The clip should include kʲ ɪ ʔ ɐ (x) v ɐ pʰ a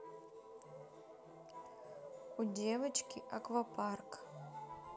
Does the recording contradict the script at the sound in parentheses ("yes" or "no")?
yes